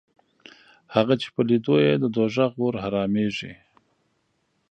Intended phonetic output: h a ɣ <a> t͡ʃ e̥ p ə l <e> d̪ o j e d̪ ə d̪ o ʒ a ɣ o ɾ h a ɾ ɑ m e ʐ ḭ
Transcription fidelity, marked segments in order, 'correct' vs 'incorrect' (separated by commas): correct, incorrect